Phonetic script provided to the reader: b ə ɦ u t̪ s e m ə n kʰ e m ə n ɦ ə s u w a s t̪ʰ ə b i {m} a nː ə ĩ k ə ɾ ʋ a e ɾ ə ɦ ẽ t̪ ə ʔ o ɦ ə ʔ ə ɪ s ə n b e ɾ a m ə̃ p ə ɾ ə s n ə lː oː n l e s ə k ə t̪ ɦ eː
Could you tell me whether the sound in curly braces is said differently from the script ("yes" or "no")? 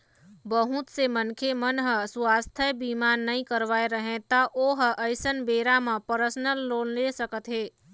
no